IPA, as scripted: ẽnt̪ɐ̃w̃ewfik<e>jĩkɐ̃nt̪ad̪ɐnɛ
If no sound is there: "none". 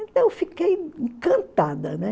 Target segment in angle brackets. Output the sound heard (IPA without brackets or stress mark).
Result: e